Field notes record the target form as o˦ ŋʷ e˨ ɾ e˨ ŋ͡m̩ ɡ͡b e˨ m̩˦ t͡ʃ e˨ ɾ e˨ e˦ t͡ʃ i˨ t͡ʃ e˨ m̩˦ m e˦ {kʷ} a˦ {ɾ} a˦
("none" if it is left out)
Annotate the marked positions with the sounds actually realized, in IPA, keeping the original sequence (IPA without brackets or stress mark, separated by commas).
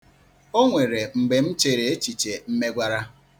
ɡʷ, ɾ